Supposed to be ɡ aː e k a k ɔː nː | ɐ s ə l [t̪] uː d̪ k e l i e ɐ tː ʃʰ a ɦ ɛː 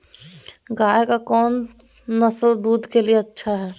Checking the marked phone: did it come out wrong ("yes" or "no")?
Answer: yes